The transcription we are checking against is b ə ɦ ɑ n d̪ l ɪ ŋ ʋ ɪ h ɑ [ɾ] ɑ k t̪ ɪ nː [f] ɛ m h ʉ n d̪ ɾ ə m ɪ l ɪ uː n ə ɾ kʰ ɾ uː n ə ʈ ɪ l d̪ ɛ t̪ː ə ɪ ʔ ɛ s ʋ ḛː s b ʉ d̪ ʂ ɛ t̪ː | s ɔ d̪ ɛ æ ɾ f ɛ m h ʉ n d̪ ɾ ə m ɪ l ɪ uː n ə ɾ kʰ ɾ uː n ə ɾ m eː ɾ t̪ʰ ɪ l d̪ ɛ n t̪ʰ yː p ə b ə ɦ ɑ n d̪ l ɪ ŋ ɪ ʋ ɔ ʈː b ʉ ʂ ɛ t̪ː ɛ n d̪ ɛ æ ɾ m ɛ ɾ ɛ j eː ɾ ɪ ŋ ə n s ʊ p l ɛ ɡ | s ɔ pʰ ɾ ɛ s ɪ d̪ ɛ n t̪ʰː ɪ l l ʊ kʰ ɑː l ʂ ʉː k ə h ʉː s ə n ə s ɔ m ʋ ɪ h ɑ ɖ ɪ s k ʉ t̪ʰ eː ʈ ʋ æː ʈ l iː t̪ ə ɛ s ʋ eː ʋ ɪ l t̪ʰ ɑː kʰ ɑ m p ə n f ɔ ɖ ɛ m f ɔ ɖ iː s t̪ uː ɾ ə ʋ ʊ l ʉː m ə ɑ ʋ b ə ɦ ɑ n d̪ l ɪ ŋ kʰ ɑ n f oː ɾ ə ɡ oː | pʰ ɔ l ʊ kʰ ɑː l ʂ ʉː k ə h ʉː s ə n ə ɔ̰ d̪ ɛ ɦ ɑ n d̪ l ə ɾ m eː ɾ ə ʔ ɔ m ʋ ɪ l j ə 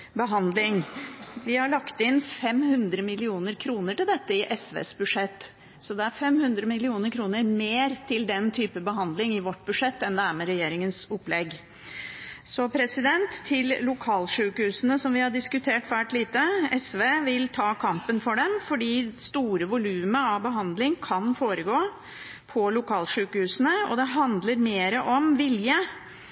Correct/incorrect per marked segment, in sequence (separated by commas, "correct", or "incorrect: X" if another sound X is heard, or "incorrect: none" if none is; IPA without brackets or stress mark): incorrect: ɭ, correct